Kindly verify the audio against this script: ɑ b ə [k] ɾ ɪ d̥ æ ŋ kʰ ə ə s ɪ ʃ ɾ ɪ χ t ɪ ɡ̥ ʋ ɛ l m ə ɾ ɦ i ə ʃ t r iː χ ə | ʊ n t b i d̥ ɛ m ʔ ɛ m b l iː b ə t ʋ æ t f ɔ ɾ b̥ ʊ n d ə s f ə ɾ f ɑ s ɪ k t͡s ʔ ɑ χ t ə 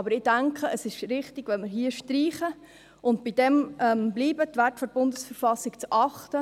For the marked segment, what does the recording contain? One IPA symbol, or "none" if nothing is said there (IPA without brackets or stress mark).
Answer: none